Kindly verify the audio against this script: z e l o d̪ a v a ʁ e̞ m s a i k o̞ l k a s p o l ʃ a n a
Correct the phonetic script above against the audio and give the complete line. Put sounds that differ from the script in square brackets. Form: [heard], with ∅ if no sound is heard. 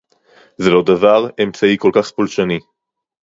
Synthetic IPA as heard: z e l o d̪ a v a ʁ e̞ m [t͡s] a i k o̞ l k a [χ] p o l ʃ a n [i]